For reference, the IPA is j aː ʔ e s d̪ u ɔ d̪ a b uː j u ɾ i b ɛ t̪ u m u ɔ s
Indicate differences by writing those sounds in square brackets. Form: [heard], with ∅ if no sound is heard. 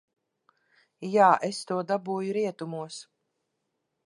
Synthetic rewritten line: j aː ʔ e s [t̪] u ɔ d̪ a b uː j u ɾ i [∅] ɛ t̪ u m u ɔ s